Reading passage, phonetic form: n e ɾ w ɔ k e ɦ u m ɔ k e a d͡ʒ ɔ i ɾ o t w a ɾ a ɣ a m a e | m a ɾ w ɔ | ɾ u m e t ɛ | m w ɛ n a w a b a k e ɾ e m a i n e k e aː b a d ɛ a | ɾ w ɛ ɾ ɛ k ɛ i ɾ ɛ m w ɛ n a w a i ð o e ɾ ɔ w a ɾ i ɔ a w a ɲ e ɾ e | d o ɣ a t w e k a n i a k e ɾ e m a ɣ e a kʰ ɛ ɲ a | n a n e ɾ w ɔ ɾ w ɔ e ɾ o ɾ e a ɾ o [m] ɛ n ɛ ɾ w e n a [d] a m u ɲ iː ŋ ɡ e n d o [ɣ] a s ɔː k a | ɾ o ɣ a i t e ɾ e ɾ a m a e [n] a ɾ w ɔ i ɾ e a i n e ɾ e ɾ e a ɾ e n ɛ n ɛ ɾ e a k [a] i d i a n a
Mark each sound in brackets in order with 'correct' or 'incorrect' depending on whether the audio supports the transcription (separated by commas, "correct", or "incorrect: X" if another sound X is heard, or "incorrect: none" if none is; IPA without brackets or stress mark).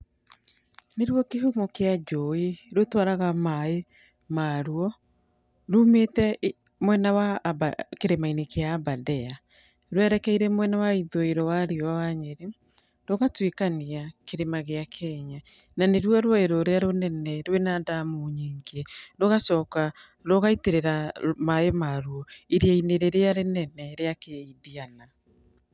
incorrect: n, correct, correct, incorrect: m, incorrect: e